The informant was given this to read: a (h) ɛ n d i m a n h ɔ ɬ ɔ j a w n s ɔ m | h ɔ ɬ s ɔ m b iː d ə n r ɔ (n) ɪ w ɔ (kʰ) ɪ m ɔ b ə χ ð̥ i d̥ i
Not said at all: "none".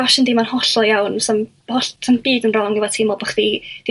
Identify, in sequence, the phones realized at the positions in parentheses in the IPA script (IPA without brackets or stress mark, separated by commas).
ʃ, ŋ, tʰ